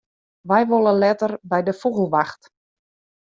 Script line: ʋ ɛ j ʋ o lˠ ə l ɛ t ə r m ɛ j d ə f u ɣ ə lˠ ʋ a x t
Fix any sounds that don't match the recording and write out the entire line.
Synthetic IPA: ʋ ɛ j ʋ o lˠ ə l ɛ t ə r b ɛ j d ə f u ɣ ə lˠ ʋ a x t